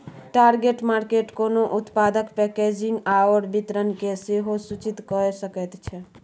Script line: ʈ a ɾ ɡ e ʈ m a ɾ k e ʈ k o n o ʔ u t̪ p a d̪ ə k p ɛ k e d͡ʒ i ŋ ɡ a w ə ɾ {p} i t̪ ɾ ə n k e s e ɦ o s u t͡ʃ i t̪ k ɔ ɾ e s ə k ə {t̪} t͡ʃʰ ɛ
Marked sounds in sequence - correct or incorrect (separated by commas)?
incorrect, correct